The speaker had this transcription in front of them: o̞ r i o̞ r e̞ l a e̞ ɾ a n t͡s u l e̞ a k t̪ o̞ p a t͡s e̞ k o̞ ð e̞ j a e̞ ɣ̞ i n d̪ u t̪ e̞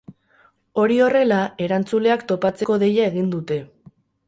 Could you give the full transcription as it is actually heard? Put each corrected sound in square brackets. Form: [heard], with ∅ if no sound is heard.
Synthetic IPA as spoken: o̞ [ɾ] i o̞ r e̞ l a e̞ ɾ a n t͡s u l e̞ a k t̪ o̞ p a t͡s e̞ k o̞ ð e̞ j a e̞ ɣ̞ i n d̪ u t̪ e̞